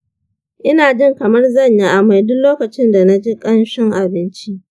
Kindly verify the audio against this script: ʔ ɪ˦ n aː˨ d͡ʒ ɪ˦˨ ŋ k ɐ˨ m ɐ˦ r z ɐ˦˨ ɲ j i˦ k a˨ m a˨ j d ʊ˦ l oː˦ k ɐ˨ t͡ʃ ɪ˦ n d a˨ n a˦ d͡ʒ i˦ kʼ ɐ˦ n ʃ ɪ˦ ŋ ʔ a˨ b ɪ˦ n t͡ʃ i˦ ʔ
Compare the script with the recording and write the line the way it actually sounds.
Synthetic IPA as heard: ʔ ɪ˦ n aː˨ d͡ʒ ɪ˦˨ ŋ k ɐ˨ m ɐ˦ r z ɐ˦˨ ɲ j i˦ ʔ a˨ m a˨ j d ʊ˦ l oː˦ k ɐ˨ t͡ʃ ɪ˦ n d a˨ n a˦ d͡ʒ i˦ kʼ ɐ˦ n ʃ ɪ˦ ŋ ʔ a˨ b ɪ˦ n t͡ʃ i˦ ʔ